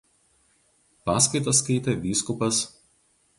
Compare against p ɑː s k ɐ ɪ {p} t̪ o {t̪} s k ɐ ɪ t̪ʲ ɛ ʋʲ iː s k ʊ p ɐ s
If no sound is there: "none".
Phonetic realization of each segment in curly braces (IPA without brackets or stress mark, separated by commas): none, none